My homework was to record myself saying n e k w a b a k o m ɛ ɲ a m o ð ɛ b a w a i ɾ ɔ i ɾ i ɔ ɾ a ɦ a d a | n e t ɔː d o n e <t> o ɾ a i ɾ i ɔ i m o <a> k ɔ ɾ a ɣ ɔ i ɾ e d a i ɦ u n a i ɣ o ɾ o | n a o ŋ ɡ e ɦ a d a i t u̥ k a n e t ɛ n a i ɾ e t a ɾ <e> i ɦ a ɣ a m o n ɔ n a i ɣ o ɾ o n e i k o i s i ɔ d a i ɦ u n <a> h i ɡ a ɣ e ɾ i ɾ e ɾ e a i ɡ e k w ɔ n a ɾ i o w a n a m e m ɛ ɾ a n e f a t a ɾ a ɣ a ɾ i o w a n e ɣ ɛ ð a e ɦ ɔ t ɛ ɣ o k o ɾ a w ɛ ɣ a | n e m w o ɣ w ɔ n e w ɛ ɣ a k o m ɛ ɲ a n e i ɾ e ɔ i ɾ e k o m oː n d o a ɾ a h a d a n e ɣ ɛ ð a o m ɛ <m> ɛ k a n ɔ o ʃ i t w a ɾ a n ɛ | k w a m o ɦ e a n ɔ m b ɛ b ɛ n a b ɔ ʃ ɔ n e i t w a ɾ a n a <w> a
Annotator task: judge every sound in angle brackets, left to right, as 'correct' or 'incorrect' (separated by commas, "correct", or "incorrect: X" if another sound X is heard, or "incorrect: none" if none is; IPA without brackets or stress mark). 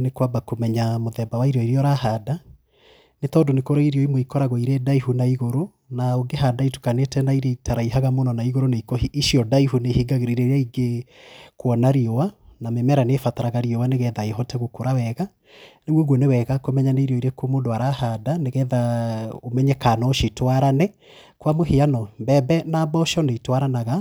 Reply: incorrect: k, incorrect: i, incorrect: a, incorrect: e, incorrect: ɲ, incorrect: ɣ